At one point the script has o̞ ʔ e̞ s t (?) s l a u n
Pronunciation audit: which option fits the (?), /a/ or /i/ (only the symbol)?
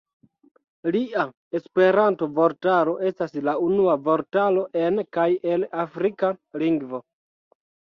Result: a